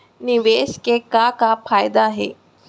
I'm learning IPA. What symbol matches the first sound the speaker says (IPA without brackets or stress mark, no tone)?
n